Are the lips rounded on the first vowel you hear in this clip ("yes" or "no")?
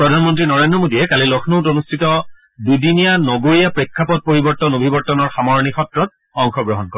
yes